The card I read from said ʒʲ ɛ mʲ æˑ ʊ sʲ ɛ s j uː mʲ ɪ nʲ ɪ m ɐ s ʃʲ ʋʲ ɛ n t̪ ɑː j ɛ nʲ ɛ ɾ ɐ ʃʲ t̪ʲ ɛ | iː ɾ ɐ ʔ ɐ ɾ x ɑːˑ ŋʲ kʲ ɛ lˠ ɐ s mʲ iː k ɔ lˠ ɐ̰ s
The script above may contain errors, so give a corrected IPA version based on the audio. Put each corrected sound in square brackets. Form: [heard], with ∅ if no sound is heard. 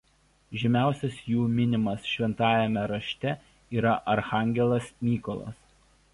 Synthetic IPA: ʒʲ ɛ mʲ æˑ ʊ sʲ ɛ s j uː mʲ ɪ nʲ ɪ m ɐ s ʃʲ ʋʲ ɛ n t̪ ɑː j ɛ [mʲ] ɛ ɾ ɐ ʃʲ t̪ʲ ɛ | iː ɾ ɐ ʔ ɐ ɾ x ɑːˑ ŋʲ [ɡʲ] ɛ lˠ ɐ s mʲ iː k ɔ lˠ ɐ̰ s